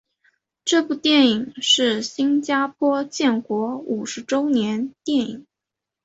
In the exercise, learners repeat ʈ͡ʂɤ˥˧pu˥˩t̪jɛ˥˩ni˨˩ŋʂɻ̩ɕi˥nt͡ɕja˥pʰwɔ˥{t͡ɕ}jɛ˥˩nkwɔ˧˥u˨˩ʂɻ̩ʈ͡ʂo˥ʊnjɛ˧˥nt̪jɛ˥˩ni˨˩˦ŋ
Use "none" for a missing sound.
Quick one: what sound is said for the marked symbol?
t͡ɕ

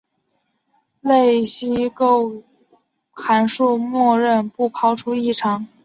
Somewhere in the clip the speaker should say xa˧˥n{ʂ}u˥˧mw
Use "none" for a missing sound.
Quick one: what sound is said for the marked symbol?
ʂ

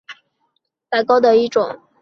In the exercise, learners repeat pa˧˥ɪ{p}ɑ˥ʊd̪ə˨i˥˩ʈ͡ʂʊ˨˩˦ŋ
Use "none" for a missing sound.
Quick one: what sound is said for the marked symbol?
k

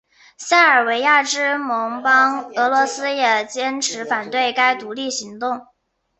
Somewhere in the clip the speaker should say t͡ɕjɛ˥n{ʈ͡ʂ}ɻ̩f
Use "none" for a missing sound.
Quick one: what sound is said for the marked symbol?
ʈ͡ʂʰ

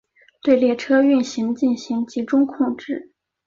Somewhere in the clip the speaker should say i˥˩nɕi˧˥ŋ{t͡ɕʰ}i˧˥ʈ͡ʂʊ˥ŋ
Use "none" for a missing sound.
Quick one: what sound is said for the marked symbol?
t͡ɕ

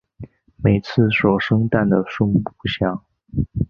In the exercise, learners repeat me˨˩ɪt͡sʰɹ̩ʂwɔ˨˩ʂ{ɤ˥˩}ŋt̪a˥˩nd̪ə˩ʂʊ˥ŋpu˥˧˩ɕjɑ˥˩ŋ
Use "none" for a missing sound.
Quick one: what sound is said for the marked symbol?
ɤ˥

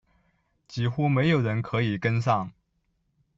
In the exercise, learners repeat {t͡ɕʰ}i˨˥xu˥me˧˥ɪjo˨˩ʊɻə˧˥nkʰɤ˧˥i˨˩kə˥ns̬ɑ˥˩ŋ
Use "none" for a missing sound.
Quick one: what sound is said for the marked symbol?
t͡ɕ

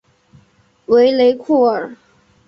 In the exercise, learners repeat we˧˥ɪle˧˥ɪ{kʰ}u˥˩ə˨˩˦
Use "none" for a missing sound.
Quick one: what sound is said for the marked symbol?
kʰ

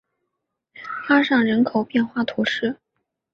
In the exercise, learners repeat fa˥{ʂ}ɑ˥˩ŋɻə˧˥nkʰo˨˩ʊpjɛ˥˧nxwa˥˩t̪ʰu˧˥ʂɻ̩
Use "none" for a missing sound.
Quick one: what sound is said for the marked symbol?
ʂ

